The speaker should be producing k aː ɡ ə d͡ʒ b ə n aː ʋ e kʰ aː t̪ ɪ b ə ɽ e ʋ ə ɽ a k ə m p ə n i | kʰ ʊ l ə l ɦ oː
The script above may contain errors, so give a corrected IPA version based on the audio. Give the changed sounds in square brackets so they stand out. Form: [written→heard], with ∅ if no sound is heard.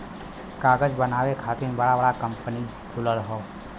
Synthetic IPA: k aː ɡ ə d͡ʒ b ə n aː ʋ e kʰ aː t̪ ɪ b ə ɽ [e→a] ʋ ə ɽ a k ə m p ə n i | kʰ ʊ l ə [l→ɾ] ɦ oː